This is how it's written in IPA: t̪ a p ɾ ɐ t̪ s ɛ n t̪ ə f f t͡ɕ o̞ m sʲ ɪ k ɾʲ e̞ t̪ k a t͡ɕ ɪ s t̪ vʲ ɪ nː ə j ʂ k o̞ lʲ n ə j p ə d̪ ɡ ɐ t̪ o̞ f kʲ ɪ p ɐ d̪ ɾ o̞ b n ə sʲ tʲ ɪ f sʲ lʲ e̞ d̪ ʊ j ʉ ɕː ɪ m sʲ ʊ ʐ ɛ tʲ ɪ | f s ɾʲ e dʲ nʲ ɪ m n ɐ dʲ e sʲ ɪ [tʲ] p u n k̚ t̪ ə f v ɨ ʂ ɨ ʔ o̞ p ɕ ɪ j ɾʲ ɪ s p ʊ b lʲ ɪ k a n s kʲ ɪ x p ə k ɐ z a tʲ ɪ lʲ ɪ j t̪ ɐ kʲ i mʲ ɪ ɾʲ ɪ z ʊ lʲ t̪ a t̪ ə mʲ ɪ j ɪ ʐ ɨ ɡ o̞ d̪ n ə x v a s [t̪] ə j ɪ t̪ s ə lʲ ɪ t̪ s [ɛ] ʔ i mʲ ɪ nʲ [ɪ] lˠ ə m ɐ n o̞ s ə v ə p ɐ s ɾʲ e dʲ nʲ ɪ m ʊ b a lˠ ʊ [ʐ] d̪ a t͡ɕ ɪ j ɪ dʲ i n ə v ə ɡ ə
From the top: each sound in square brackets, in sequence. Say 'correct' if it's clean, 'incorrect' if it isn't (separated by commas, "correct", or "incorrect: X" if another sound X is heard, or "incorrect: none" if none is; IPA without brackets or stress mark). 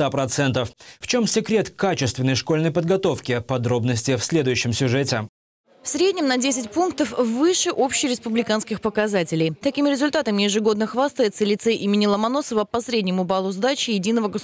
correct, correct, correct, correct, incorrect: z